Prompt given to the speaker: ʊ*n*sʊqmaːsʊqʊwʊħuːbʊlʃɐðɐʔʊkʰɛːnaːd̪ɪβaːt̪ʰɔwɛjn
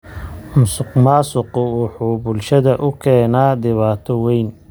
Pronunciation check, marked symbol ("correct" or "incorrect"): incorrect